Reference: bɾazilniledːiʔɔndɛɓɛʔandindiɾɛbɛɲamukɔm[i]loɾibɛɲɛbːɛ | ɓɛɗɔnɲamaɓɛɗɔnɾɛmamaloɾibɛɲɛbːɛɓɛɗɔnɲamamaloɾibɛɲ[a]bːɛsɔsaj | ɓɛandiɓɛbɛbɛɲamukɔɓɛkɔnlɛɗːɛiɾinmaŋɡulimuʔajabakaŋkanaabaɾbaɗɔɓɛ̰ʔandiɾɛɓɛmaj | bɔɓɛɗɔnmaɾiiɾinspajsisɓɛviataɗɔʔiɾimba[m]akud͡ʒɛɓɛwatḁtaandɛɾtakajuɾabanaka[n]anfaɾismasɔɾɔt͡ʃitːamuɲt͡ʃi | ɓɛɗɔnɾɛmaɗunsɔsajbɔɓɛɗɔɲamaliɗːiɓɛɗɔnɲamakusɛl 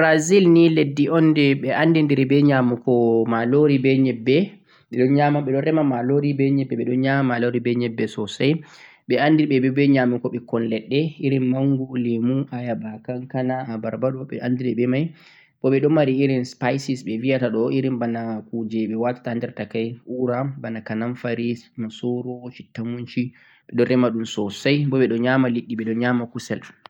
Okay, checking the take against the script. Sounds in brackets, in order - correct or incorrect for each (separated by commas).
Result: incorrect, incorrect, incorrect, correct